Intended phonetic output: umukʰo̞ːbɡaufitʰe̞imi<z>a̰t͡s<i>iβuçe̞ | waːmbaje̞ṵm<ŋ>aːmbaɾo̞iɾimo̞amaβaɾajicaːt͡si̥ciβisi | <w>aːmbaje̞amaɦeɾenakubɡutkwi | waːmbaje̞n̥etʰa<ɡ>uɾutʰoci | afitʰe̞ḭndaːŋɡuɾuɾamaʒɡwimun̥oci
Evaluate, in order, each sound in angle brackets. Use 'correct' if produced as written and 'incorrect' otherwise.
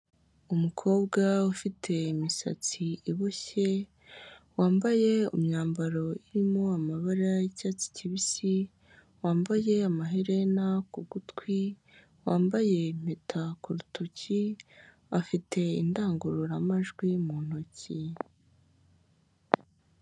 incorrect: s, correct, incorrect: ɲ, correct, incorrect: k

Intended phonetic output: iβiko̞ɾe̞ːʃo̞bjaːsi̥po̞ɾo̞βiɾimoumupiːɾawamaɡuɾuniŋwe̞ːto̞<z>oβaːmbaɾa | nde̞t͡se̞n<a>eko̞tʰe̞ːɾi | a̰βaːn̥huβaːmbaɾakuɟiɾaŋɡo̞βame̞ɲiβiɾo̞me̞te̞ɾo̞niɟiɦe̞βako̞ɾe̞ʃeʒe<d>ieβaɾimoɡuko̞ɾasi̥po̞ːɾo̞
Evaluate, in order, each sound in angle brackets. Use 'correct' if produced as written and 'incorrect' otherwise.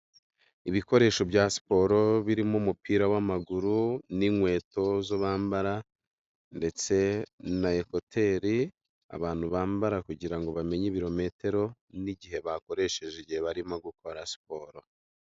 correct, correct, incorrect: ɟ

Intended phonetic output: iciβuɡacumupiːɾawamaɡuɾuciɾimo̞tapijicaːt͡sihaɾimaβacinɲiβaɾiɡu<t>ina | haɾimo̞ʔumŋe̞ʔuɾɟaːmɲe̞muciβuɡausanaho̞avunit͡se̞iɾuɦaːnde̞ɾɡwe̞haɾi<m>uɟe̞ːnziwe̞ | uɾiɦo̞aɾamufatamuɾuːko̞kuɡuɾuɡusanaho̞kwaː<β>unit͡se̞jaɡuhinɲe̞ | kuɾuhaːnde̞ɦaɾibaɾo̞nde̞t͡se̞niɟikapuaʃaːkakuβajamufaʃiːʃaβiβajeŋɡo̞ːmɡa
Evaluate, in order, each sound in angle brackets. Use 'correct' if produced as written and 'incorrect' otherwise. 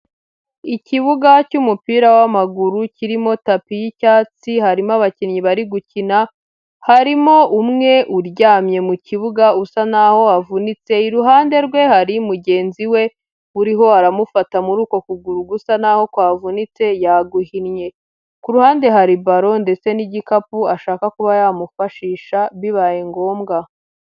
incorrect: c, correct, incorrect: v

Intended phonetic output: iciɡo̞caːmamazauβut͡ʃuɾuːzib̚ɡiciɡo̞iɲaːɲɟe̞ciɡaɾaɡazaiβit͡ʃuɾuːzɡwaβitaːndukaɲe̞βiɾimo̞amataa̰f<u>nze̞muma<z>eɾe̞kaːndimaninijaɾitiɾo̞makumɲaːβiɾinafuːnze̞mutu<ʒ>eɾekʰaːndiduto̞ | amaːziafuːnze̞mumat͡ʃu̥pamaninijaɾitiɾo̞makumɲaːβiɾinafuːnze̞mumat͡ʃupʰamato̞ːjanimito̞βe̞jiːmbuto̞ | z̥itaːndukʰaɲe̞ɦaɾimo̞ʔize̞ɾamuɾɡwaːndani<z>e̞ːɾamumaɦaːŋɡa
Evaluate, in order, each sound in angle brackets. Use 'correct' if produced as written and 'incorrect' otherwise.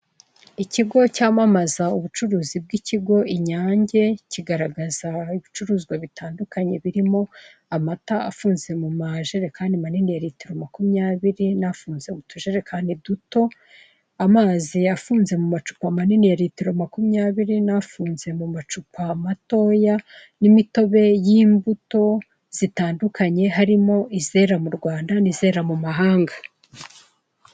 incorrect: uː, incorrect: ʒ, correct, correct

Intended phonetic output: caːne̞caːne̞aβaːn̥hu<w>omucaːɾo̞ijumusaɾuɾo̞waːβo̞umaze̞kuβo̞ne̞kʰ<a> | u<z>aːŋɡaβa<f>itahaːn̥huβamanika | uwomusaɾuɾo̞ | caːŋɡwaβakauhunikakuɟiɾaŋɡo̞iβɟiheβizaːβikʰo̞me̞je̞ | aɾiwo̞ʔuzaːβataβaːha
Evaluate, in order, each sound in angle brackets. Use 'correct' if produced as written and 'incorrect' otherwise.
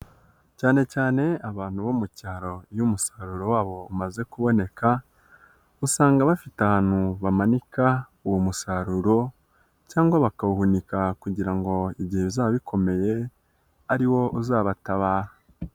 incorrect: β, correct, incorrect: s, correct

